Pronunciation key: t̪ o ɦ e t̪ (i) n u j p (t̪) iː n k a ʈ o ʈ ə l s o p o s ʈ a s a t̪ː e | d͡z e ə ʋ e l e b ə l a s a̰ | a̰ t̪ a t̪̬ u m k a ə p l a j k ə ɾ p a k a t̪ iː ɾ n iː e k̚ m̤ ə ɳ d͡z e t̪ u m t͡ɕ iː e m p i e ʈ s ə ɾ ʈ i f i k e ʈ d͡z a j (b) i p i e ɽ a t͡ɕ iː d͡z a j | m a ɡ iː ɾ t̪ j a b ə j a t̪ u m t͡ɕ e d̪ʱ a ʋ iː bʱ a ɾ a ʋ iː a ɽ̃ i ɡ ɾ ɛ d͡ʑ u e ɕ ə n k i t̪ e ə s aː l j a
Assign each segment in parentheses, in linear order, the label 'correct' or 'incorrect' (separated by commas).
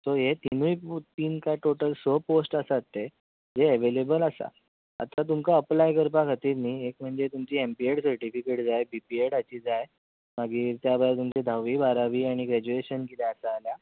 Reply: correct, correct, correct